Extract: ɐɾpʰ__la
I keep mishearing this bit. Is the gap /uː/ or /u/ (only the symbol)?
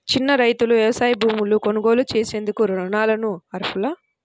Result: u